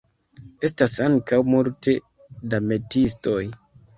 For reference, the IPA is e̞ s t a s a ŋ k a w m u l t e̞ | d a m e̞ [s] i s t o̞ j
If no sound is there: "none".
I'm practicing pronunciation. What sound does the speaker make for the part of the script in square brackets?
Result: t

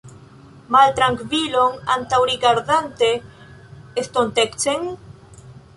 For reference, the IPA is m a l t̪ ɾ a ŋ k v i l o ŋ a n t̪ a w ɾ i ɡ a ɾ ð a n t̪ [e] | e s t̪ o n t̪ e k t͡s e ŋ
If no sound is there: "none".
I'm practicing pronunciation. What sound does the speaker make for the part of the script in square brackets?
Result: e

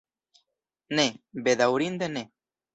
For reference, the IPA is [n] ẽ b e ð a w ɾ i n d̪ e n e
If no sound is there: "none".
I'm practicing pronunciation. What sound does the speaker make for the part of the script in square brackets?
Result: n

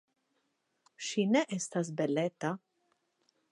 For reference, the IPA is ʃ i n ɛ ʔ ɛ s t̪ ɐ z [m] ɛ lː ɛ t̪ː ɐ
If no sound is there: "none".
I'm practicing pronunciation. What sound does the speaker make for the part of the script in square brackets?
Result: b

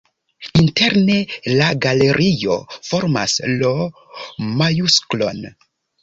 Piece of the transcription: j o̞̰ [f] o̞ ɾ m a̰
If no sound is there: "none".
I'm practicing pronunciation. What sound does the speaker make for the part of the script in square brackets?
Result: f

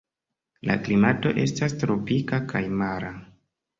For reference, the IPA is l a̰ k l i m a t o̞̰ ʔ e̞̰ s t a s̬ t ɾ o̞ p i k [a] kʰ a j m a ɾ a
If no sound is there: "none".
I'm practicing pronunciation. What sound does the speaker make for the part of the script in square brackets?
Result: a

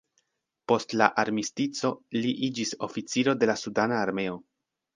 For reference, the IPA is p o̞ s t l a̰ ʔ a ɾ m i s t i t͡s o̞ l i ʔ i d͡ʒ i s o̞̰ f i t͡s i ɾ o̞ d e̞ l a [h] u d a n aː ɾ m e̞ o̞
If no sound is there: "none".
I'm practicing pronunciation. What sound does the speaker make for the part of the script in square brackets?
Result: s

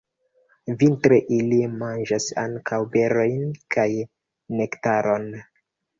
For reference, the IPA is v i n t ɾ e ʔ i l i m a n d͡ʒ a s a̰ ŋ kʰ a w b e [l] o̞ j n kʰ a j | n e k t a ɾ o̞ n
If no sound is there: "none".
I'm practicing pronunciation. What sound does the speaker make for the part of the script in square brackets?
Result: ɾ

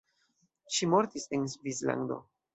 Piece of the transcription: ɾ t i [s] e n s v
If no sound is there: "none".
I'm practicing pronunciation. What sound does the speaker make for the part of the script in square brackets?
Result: s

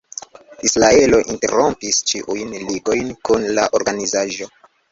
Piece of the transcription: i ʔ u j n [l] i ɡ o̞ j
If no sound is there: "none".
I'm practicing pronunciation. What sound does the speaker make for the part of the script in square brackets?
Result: l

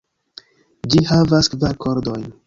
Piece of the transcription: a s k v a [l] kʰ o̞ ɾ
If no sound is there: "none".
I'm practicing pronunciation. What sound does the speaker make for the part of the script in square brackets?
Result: ɾ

